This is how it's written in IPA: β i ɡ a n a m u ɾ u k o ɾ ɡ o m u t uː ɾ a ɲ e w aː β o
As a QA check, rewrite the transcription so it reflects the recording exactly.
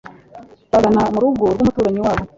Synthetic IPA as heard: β a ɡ a n a m u ɾ u ɡ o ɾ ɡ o m u t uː ɾ a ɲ i w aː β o